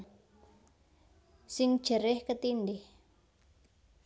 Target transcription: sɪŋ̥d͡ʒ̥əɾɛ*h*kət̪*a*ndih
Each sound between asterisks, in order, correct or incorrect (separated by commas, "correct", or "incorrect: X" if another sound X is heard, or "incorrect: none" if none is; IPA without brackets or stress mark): correct, incorrect: i